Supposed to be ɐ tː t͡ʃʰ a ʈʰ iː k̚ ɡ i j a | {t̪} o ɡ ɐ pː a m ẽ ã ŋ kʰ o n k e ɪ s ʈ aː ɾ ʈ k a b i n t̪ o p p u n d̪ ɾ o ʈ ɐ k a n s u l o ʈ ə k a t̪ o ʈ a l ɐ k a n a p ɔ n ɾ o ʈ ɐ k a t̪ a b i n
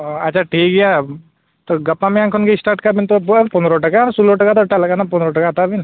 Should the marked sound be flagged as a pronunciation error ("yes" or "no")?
no